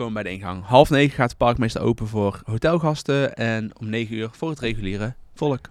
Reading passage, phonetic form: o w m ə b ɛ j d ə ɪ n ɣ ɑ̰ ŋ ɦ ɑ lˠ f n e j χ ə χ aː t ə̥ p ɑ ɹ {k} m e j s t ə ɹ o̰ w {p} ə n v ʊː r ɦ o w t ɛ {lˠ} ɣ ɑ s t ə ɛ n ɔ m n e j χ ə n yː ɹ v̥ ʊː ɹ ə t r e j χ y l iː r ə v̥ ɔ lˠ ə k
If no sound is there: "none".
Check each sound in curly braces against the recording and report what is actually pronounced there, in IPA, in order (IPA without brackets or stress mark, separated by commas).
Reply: k, p, lˠ